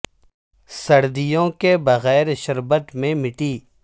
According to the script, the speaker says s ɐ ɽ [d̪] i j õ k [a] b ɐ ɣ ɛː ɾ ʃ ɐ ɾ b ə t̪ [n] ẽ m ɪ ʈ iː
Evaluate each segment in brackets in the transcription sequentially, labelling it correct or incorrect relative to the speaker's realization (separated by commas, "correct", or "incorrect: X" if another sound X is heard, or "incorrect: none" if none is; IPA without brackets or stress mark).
correct, incorrect: e, incorrect: m